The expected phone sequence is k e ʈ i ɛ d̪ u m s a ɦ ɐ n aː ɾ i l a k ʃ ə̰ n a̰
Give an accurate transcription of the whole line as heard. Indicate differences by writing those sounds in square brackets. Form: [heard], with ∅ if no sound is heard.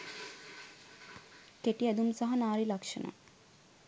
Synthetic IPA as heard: k e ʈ i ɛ d̪ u m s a ɦ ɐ n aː ɾ i l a k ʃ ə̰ n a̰